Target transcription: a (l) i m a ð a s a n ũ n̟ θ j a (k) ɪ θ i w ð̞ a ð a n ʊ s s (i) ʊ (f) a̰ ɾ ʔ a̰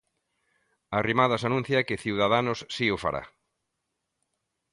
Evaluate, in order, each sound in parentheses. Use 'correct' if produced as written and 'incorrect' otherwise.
incorrect: r, correct, correct, correct

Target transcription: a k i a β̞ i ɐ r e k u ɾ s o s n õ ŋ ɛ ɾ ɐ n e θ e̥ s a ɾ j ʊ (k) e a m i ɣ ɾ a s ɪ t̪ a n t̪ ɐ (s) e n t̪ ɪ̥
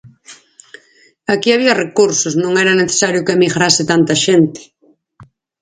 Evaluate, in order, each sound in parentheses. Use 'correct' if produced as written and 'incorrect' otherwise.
correct, incorrect: ʃ

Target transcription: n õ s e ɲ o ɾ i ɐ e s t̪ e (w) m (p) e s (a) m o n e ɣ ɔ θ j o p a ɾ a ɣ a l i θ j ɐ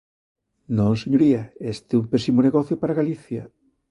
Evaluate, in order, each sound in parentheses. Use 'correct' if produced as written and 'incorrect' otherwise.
incorrect: u, correct, incorrect: i

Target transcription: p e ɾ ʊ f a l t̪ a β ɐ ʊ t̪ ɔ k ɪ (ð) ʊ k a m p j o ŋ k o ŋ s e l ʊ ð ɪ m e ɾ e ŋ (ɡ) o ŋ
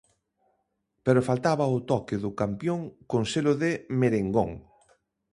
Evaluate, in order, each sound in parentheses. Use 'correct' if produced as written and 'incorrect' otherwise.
correct, correct

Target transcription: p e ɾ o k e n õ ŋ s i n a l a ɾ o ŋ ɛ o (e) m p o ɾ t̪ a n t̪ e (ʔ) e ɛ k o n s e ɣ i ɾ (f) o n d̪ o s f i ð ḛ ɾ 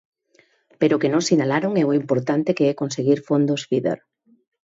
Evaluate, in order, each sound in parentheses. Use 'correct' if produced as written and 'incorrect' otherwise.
incorrect: i, incorrect: k, correct

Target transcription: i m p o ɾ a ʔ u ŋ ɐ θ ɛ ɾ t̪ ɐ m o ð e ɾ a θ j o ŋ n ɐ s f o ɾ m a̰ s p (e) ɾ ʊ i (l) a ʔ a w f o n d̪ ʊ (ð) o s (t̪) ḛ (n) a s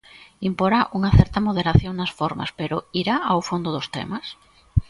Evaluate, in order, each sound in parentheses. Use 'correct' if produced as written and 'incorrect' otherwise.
correct, incorrect: ɾ, correct, correct, incorrect: m

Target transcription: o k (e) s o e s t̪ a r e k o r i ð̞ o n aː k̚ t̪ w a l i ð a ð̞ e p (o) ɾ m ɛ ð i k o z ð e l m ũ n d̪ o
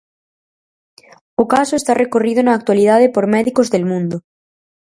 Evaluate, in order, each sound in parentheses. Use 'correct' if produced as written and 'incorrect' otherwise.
incorrect: a, correct

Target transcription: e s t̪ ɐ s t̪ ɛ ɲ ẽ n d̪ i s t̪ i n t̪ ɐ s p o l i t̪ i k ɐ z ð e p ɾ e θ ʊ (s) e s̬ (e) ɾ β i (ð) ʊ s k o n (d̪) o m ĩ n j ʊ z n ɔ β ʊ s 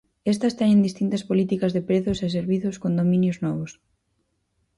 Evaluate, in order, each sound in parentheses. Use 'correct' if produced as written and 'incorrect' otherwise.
correct, correct, incorrect: θ, correct

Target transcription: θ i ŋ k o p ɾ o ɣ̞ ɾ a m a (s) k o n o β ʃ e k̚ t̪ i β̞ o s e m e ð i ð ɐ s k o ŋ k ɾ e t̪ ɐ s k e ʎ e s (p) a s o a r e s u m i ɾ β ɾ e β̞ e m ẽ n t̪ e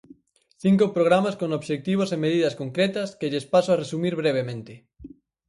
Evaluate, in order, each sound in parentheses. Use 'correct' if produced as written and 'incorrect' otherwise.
correct, correct

